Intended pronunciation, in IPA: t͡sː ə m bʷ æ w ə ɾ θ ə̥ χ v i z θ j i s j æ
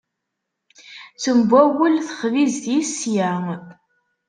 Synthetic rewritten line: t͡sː ə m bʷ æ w ə l θ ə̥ χ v i z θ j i s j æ